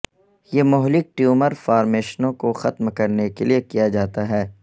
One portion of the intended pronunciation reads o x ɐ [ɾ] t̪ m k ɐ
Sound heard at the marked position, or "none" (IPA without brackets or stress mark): none